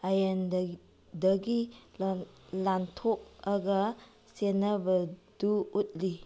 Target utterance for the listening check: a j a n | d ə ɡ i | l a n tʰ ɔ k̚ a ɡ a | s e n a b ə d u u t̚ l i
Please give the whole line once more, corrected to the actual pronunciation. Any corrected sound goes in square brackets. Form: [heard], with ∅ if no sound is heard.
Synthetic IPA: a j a n | d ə ɡ i | l a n tʰ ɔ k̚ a ɡ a | s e n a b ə d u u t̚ l i